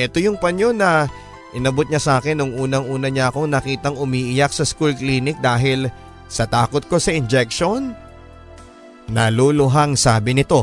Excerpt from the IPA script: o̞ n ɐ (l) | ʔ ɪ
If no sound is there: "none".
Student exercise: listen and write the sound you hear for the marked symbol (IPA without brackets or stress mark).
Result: none